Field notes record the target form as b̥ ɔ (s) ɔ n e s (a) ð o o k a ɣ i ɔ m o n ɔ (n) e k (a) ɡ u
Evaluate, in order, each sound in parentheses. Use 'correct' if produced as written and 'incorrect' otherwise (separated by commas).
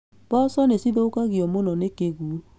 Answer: correct, incorrect, correct, incorrect